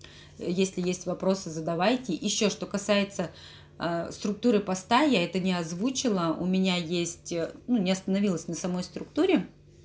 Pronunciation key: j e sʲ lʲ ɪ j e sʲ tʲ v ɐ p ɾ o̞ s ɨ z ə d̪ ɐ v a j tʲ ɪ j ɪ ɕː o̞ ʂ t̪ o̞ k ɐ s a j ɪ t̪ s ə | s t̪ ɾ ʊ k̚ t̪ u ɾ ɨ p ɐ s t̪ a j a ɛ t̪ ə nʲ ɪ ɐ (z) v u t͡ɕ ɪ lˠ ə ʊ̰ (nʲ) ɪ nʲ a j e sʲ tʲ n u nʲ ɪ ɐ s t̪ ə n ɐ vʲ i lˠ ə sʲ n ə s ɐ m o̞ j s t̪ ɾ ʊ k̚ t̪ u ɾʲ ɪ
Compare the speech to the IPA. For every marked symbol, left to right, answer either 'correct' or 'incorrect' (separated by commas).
correct, incorrect